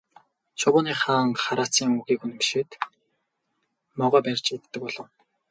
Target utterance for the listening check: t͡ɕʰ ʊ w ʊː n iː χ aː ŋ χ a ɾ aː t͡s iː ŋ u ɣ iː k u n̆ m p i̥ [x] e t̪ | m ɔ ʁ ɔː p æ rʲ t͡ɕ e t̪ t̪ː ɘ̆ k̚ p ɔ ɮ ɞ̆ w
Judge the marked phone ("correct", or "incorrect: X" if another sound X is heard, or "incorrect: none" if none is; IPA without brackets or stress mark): incorrect: ʃ